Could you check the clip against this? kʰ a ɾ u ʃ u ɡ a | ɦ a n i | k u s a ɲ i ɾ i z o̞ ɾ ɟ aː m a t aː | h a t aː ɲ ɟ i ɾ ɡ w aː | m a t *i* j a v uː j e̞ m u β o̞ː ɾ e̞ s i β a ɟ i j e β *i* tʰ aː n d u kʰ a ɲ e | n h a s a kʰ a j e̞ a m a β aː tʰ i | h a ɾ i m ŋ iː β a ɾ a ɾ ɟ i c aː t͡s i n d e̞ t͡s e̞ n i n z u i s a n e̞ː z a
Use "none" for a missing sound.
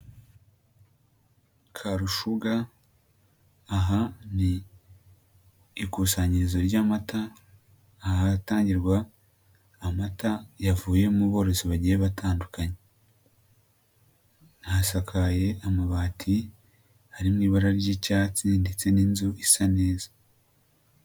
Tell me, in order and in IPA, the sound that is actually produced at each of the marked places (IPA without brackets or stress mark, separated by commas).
a, a